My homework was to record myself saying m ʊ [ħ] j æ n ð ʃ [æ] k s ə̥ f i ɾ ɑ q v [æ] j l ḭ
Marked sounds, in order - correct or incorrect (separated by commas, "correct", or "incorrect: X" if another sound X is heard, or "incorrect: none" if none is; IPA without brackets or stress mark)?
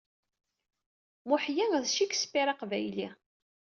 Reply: correct, incorrect: i, correct